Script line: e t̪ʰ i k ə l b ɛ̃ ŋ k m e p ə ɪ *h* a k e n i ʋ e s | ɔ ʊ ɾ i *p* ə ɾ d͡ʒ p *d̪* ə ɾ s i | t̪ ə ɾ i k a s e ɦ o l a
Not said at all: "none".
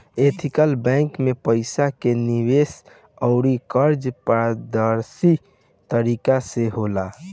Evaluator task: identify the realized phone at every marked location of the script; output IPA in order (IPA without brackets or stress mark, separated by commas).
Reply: s, k, d̪